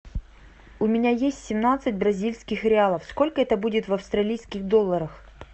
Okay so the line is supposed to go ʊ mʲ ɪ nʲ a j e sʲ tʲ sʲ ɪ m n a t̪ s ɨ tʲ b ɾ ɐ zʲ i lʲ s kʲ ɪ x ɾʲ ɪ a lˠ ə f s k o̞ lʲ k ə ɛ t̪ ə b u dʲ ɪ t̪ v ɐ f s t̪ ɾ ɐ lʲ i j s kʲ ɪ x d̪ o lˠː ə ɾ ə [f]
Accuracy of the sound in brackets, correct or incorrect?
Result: incorrect: x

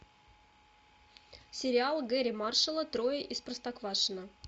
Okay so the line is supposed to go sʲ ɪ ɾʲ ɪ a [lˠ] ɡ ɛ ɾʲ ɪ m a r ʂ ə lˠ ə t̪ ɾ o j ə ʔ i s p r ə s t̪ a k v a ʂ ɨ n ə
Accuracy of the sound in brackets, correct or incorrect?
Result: correct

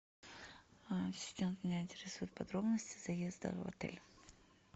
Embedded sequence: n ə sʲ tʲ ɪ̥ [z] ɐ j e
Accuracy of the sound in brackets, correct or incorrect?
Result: correct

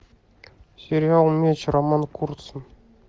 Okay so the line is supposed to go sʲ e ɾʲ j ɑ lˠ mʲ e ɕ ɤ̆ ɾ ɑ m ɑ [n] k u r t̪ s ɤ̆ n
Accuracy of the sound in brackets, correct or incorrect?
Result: correct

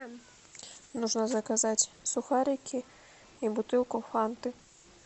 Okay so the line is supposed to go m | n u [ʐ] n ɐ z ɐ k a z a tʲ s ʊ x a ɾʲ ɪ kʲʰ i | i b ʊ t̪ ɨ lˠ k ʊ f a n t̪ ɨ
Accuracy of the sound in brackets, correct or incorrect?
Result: correct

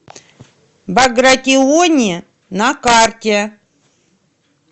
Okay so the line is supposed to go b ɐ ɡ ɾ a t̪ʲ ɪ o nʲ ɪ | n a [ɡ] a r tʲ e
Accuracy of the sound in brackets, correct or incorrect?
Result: incorrect: k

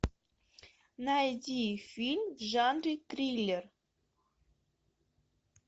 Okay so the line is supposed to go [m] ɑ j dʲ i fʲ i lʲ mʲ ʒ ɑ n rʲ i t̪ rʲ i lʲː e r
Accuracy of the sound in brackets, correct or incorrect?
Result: incorrect: n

